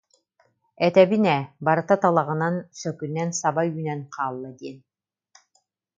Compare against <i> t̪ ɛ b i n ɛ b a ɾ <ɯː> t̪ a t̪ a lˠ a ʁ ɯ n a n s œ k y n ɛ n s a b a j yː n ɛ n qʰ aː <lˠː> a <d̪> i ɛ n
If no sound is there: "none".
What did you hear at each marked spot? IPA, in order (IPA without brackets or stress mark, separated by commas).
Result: ɛ, ɯ, lˠː, d̪